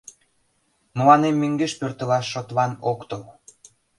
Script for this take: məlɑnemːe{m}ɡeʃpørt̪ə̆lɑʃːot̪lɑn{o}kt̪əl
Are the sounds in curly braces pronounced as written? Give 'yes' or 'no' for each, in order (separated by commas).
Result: no, yes